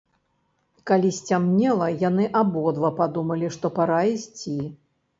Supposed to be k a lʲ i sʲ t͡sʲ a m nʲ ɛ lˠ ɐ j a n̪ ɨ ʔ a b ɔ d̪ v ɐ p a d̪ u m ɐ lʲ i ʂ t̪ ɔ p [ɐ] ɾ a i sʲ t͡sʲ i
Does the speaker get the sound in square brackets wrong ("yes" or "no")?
yes